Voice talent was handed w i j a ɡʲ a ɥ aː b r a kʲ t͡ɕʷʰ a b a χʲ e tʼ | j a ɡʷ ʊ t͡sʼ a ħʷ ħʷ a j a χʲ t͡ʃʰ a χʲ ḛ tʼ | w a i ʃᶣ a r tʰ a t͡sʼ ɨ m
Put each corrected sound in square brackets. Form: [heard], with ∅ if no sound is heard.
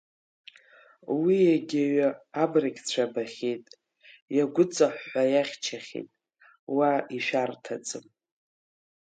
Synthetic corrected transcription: w i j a ɡʲ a ɥ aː b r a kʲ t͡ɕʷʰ a b a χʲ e tʼ | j a ɡʷ ʊ t͡sʼ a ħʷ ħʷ a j a χʲ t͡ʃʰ a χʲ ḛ tʼ | w a i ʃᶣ a r tʰ a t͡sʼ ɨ m